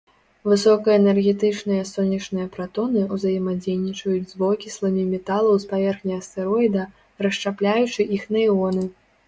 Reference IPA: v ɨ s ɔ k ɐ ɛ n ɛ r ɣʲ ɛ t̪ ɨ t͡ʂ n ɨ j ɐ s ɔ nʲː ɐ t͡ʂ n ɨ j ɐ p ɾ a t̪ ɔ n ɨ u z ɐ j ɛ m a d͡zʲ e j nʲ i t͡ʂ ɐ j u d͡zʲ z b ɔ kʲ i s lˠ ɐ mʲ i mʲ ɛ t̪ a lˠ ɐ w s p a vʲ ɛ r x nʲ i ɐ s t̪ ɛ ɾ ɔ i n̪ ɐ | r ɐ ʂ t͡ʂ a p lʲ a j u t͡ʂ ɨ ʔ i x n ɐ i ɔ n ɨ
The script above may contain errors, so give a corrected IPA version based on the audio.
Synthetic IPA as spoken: v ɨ s ɔ k ɐ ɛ n ɛ r ɣʲ ɛ t̪ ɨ t͡ʂ n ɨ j ɐ s ɔ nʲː ɐ t͡ʂ n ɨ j ɐ p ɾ a t̪ ɔ n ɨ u z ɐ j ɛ m a d͡zʲ e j nʲ i t͡ʂ ɐ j u d͡zʲ z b ɔ kʲ i s lˠ ɐ mʲ i mʲ ɛ t̪ a lˠ ɐ w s p a vʲ ɛ r x nʲ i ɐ s t̪ ɛ ɾ ɔ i d̪ ɐ | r ɐ ʂ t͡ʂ a p lʲ a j u t͡ʂ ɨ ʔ i x n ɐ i ɔ n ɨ